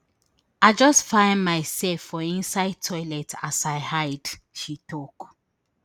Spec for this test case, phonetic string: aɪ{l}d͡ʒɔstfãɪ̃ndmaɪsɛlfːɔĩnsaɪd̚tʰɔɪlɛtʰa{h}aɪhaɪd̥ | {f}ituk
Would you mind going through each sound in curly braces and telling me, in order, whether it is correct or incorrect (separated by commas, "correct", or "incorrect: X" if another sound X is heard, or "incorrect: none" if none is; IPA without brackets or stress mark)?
incorrect: none, incorrect: s, incorrect: ʃ